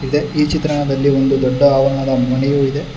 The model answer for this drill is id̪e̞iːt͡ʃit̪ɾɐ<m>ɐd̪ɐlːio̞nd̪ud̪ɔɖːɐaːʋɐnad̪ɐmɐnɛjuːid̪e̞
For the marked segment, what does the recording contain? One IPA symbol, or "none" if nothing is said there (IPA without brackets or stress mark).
ɳ